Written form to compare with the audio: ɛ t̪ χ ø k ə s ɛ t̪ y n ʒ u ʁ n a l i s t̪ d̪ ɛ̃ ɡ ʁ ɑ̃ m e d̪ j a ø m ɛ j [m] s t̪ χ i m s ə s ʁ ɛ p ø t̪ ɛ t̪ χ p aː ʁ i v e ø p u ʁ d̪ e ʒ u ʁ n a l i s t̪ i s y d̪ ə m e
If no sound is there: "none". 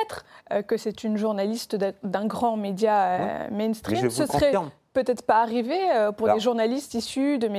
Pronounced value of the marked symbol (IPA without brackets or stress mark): n